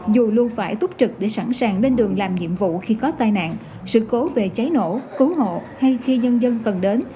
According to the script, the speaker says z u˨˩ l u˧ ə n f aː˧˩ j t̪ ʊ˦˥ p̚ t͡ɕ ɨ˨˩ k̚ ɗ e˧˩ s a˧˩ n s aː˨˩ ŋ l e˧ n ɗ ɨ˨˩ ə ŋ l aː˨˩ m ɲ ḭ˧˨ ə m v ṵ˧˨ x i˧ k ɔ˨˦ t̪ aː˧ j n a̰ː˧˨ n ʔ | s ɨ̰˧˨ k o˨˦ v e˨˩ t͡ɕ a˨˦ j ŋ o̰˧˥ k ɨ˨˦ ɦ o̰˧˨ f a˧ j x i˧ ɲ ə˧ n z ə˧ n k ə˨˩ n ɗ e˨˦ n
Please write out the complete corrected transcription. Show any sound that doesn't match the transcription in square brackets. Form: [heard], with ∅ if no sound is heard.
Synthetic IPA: z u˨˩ l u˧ ə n f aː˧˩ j t̪ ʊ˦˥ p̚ t͡ɕ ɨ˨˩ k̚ ɗ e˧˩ s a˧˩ n s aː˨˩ ŋ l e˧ n ɗ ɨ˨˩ ə ŋ l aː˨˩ m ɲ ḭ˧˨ ə m v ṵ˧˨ x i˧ k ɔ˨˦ t̪ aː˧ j n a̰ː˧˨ n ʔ | s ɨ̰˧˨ k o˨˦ v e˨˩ t͡ɕ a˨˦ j [n] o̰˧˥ k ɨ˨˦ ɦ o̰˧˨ [h] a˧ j x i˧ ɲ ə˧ n z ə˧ n k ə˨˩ n ɗ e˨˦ n